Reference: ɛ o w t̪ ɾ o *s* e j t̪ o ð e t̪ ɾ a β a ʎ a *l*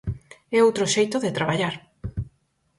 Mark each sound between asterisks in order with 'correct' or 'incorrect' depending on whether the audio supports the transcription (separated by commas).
incorrect, incorrect